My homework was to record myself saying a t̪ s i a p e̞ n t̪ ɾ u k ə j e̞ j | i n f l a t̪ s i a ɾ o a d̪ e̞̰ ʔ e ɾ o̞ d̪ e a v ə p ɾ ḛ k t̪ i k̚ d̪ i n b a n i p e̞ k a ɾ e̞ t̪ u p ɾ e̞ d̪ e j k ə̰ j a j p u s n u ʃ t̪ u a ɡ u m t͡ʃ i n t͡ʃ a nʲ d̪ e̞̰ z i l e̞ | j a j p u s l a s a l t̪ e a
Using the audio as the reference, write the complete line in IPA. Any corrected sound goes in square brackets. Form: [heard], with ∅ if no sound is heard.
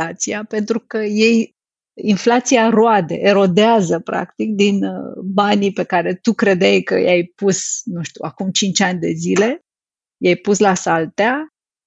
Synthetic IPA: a t̪ s i a p e̞ n t̪ ɾ u k ə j e̞ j | i n f l a t̪ s i a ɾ o a d̪ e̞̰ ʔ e ɾ o̞ d̪ e a [z] ə p ɾ [a̰] k t̪ i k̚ d̪ i n b a n i p e̞ k a ɾ e̞ t̪ u [k] ɾ e̞ d̪ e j k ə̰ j a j p u s n u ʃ t̪ u a [k] u m t͡ʃ i n t͡ʃ a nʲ d̪ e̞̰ z i l e̞ | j a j p u s l a s a l t̪ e a